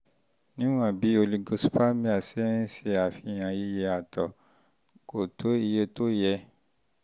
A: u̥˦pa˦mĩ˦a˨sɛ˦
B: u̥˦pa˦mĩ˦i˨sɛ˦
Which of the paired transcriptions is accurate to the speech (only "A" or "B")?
A